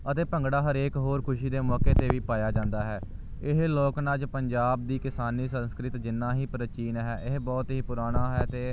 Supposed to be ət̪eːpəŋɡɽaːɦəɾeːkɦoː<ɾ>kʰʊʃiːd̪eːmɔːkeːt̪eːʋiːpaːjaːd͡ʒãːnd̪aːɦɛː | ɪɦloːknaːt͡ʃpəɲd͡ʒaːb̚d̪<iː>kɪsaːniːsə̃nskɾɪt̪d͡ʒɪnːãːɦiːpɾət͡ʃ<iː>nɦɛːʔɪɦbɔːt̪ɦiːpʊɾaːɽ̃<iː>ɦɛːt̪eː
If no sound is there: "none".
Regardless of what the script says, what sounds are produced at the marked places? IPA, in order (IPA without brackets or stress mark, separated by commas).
ɾ, iː, iː, aː